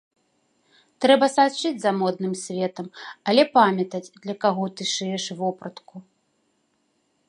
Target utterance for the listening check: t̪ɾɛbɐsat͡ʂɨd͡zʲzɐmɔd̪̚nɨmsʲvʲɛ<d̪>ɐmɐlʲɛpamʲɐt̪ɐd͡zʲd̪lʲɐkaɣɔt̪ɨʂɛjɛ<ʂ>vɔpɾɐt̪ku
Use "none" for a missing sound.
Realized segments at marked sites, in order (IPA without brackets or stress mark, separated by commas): t̪, ʂ